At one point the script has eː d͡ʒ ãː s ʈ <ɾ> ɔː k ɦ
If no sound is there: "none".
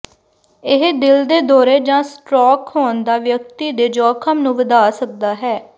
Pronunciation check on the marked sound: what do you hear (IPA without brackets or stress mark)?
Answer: ɾ